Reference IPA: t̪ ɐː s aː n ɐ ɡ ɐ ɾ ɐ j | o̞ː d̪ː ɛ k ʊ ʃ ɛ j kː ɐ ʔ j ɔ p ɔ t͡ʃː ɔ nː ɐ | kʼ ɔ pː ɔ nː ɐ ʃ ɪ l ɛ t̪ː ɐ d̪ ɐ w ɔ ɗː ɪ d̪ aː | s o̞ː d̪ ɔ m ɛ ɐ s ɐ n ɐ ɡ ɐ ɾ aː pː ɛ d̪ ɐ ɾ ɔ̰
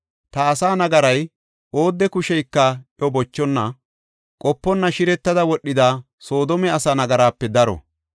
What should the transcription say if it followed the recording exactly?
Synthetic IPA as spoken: t̪ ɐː s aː n ɐ ɡ ɐ ɾ ɐ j | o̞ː d̪ː ɛ k ʊ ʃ ɛ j kː ɐ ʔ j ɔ b ɔ t͡ʃː ɔ nː ɐ | kʼ ɔ pː ɔ nː ɐ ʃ ɪ ɾ ɛ t̪ː ɐ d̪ ɐ w ɔ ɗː ɪ d̪ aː | s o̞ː d̪ ɔ m ɛ ɐ s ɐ n ɐ ɡ ɐ ɾ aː pː ɛ d̪ ɐ ɾ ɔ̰